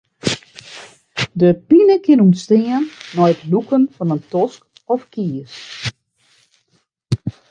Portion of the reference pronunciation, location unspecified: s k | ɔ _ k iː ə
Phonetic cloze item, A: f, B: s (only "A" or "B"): A